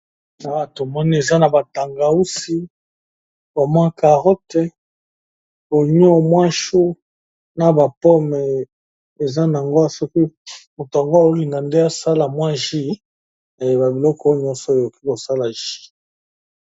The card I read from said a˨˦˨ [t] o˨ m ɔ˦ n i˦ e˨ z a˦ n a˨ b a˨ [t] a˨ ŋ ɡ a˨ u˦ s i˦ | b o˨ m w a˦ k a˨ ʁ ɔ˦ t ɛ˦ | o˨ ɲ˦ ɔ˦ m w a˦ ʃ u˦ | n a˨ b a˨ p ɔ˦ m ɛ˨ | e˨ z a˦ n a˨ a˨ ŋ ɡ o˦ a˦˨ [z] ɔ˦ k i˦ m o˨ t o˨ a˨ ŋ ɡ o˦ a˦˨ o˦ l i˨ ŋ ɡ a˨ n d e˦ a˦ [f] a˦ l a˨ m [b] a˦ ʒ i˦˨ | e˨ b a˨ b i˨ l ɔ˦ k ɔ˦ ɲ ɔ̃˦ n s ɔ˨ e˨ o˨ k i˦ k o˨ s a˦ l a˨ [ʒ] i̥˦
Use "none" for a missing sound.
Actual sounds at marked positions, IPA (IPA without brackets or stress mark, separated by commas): t, t, s, s, w, ʒ